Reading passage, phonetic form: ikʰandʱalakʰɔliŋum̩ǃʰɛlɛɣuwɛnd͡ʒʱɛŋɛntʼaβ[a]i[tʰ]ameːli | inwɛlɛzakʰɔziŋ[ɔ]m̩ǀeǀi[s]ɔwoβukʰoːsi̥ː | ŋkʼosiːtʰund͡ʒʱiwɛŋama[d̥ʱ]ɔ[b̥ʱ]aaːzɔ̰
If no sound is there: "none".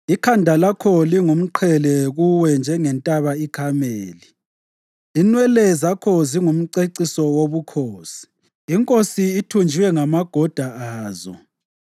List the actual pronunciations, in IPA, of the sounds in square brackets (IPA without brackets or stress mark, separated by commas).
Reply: a, kʰ, u, s, ɡ̥ʱ, d̥ʱ